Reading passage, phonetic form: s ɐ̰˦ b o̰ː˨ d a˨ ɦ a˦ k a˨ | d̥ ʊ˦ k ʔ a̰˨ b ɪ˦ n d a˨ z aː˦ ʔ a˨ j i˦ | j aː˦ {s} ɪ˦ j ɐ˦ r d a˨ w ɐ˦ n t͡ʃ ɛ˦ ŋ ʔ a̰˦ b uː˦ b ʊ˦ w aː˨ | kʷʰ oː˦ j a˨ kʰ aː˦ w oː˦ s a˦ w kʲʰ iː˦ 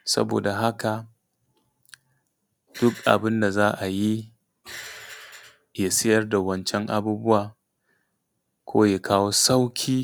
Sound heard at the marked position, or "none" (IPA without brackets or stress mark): s